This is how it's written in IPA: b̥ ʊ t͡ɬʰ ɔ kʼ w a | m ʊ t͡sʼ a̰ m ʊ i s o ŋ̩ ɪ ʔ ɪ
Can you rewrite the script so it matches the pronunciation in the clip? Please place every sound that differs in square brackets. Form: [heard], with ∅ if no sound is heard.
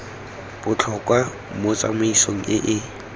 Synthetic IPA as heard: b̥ ʊ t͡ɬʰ ɔ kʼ w a | m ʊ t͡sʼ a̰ m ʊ i s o ŋ̩ ɪ ʔ ɪ